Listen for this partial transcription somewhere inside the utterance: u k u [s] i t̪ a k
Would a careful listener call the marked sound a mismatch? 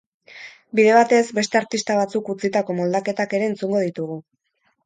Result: yes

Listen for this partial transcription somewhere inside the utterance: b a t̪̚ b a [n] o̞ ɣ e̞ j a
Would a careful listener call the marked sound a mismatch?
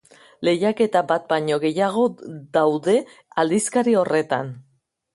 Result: yes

